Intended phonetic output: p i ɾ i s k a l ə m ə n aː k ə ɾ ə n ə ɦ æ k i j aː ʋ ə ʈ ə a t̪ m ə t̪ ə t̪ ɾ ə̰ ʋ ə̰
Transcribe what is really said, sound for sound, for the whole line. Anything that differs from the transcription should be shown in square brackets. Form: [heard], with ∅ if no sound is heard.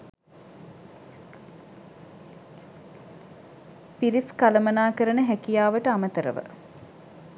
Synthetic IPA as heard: p i ɾ i s k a l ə m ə n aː k ə ɾ ə n ə ɦ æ k i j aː ʋ ə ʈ ə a [∅] m ə t̪ ə [∅] ɾ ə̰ ʋ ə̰